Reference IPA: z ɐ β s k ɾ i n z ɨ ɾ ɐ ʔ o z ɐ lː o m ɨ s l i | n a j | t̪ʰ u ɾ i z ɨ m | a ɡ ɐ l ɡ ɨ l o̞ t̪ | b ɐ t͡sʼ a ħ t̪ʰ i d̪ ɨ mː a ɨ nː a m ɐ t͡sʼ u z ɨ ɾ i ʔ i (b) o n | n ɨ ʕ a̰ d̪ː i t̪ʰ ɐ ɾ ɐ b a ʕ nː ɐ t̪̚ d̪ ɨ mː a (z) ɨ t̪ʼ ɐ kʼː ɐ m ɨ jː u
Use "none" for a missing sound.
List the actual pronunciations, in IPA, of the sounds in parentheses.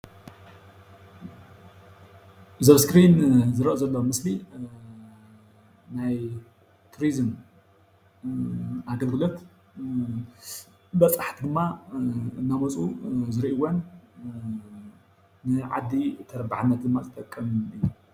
w, z

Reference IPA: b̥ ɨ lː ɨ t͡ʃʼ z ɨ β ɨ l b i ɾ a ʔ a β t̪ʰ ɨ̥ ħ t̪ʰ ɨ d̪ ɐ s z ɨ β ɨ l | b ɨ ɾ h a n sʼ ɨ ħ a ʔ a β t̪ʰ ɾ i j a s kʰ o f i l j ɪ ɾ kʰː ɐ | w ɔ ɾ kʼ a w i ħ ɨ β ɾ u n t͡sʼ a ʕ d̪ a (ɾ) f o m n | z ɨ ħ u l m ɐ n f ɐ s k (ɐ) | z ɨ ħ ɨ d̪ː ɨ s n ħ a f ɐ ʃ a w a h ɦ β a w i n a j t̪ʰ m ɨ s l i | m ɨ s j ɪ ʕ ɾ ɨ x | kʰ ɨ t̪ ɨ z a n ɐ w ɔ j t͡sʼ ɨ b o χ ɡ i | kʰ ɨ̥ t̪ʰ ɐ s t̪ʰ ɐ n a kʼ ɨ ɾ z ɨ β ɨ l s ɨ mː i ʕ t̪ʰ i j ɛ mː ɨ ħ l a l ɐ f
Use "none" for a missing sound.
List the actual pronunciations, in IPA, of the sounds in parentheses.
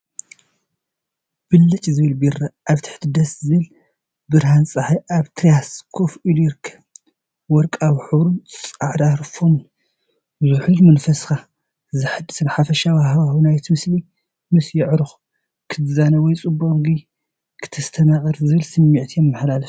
ɾ, a

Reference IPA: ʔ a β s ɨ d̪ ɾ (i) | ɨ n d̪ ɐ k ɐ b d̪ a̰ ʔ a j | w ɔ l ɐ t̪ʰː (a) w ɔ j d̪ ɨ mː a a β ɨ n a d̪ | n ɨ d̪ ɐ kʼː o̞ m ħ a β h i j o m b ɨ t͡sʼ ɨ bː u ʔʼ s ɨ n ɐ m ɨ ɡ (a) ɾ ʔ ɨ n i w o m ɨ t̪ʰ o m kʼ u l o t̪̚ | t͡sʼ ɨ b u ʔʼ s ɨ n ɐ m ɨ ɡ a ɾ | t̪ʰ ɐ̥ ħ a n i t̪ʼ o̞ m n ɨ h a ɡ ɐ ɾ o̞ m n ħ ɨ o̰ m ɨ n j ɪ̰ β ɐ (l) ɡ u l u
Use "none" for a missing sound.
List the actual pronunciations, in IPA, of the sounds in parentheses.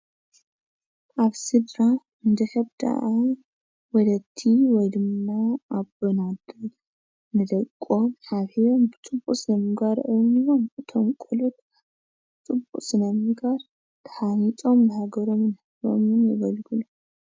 a, i, a, l

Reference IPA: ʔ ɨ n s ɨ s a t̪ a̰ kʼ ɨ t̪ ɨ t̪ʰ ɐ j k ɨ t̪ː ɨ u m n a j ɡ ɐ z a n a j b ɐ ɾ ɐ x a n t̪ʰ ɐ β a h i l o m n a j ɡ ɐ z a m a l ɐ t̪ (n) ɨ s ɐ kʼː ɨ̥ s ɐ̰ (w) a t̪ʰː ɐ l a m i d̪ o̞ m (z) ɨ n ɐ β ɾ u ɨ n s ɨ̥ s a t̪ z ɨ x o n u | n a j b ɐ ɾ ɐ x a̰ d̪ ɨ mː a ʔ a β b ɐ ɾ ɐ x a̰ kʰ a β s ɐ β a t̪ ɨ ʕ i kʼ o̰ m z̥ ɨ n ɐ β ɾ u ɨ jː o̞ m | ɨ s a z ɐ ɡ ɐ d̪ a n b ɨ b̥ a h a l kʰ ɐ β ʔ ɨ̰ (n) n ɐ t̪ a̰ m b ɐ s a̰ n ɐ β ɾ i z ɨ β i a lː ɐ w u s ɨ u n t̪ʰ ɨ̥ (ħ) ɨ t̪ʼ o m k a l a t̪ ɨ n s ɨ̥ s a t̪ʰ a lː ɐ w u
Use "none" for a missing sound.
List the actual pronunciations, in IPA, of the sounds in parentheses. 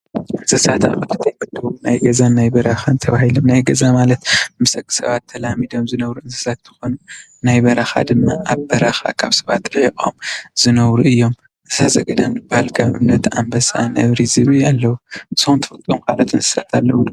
m, β, z, m, f

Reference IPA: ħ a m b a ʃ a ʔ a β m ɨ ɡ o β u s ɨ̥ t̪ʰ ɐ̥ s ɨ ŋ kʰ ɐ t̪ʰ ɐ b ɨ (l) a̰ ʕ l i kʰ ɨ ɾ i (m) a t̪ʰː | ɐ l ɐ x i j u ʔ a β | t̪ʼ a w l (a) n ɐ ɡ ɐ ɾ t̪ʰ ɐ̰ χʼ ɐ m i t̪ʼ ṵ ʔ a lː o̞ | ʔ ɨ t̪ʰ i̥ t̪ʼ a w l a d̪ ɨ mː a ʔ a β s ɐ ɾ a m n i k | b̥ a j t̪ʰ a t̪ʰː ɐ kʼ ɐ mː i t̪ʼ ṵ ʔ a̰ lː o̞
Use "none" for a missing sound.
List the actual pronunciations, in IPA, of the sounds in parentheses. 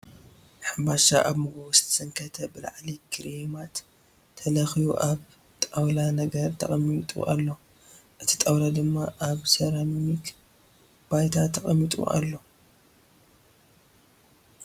l, m, a

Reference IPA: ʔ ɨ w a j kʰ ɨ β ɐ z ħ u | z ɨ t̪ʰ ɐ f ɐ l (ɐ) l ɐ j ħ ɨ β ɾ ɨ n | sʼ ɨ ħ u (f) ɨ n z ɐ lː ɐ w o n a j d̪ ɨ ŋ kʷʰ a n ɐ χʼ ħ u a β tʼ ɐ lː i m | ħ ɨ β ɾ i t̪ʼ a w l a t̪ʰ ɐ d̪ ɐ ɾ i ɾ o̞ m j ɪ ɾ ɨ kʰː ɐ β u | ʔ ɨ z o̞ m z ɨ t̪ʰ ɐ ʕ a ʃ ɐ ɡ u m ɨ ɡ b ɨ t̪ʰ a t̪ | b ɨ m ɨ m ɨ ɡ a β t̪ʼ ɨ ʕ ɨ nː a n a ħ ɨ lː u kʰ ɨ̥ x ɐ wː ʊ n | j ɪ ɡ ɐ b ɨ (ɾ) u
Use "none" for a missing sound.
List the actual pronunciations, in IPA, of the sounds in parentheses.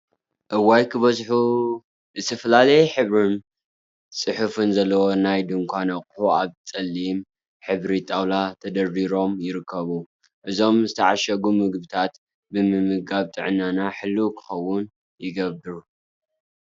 a, f, ɾ

